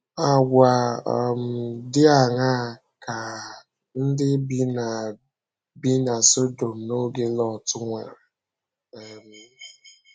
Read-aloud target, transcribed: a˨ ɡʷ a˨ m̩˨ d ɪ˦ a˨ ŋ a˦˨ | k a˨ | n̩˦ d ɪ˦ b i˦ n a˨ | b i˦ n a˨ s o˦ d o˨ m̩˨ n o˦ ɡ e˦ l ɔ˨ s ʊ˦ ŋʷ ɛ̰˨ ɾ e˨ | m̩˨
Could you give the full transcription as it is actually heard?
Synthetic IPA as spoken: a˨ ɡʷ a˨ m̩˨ d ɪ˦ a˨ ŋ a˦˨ | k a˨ | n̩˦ d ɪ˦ b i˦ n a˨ | b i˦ n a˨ s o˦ d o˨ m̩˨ n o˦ ɡ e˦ l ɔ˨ t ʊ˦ ŋʷ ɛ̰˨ ɾ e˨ | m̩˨